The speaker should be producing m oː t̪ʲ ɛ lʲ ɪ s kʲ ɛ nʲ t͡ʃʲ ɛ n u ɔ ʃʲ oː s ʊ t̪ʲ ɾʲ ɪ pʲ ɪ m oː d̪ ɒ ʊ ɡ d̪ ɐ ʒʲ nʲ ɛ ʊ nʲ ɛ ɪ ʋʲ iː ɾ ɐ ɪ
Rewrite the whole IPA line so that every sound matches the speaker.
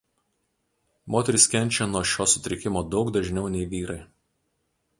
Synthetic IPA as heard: m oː t̪ʲ ɛ ɾʲ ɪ s kʲ ɛ nʲ t͡ʃʲ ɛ n u ɔ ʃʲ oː s ʊ t̪ʲ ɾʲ ɪ kʲ ɪ m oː d̪ ɒ ʊ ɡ d̪ ɐ ʒʲ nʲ ɛ ʊ nʲ ɛ ɪ ʋʲ iː ɾ ɐ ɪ